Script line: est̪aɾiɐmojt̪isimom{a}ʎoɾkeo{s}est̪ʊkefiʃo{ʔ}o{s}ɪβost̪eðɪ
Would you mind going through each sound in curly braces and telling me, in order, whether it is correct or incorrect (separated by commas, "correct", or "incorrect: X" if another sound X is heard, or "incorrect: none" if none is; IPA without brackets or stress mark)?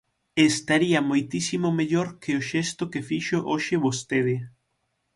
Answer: incorrect: e, incorrect: ʃ, correct, incorrect: ʃ